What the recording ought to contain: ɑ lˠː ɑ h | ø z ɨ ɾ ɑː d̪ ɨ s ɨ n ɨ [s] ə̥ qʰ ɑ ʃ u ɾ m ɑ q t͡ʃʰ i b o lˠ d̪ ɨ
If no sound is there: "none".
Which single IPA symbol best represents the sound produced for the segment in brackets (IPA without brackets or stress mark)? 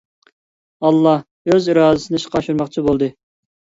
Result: ʃ